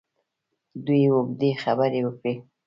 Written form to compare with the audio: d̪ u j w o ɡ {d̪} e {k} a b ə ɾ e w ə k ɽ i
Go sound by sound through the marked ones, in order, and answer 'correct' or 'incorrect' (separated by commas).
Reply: correct, incorrect